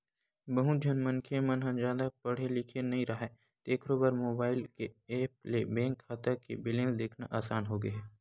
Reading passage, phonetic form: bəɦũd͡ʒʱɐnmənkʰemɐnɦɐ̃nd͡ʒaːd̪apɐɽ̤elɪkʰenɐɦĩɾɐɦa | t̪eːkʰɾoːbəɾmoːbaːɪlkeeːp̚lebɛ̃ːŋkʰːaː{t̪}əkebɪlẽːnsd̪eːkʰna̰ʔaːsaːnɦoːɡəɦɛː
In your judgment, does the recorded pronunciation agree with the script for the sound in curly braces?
yes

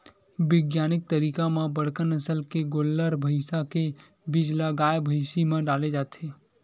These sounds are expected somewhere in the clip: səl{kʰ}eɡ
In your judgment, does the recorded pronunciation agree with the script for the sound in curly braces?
no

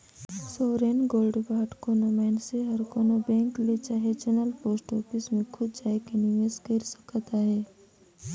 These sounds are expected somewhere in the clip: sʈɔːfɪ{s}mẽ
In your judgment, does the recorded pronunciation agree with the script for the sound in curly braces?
yes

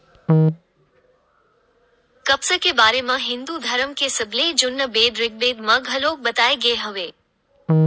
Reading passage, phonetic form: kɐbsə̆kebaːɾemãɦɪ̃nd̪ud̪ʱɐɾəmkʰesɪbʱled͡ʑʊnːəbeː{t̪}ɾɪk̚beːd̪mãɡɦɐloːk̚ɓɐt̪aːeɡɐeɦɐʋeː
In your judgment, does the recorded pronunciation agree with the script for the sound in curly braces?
no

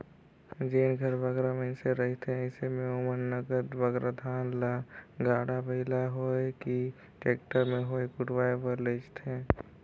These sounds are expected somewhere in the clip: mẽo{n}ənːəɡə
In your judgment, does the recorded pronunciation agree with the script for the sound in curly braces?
no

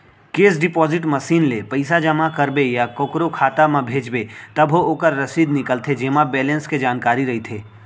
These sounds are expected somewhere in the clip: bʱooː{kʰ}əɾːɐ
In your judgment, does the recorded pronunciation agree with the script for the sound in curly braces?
no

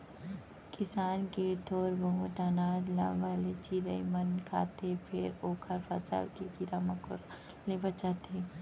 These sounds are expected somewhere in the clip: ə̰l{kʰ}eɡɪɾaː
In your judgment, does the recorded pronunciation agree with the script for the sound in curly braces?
no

